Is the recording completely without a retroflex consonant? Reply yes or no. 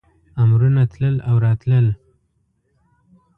yes